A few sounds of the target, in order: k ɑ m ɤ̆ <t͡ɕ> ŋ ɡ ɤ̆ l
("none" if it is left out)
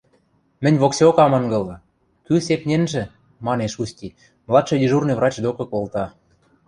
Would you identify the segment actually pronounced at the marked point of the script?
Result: none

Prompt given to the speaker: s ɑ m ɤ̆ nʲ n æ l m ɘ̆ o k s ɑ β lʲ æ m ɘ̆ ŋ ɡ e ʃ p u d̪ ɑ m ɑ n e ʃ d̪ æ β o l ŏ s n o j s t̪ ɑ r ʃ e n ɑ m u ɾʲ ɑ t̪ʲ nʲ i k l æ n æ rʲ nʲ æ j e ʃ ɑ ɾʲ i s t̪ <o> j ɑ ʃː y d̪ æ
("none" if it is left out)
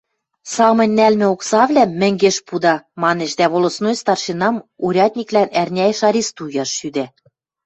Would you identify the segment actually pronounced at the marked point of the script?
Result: u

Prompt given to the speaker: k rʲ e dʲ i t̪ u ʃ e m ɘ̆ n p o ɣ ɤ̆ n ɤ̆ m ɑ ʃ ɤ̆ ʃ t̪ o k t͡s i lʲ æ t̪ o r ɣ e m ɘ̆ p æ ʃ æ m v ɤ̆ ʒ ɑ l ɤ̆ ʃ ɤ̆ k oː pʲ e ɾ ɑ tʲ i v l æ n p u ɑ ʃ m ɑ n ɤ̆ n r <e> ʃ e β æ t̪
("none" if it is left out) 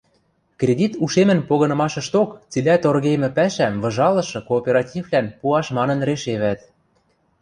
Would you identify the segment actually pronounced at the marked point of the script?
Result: e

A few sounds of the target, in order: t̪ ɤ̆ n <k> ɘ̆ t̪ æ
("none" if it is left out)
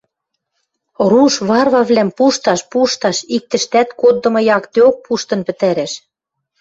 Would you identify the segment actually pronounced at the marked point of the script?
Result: p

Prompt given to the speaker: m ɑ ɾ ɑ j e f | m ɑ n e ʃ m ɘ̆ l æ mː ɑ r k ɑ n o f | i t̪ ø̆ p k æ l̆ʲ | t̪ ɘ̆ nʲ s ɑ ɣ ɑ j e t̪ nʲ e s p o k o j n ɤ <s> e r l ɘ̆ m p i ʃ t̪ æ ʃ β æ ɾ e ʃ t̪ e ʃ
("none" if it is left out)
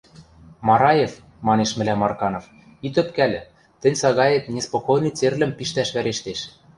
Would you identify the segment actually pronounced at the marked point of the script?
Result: t͡s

